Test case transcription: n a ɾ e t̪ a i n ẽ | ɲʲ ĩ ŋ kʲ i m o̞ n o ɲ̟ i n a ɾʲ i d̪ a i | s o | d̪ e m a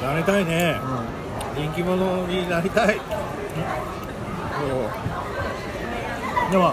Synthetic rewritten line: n a ɾ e t̪ a i n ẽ | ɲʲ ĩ ŋ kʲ i m o̞ n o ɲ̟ i n a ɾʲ i t̪ a i | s o | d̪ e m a